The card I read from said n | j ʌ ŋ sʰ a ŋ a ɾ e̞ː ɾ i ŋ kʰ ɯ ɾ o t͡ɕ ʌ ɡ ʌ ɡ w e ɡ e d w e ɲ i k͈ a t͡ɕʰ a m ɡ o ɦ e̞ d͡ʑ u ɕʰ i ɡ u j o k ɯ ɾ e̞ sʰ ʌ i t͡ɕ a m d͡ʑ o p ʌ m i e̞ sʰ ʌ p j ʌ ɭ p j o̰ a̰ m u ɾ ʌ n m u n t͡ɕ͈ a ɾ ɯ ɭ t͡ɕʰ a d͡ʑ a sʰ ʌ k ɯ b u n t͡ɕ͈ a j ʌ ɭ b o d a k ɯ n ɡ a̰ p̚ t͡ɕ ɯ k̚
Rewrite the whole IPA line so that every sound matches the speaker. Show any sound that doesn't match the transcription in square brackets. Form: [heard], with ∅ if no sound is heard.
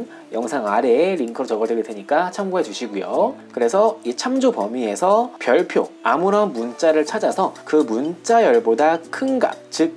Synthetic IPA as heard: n | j ʌ ŋ sʰ a ŋ a ɾ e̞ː ɾ i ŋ kʰ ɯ ɾ o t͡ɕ ʌ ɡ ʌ [d] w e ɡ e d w e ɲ i k͈ a t͡ɕʰ a m ɡ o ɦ e̞ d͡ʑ u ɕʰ i ɡ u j o k ɯ ɾ e̞ sʰ ʌ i [t͡ɕʰ] a m d͡ʑ o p ʌ m i e̞ sʰ ʌ p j ʌ ɭ [pʰ] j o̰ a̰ m u ɾ ʌ n m u n t͡ɕ͈ a ɾ ɯ ɭ t͡ɕʰ a d͡ʑ a sʰ ʌ k ɯ [m] u n t͡ɕ͈ a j ʌ ɭ b o d a [kʰ] ɯ n ɡ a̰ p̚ t͡ɕ ɯ k̚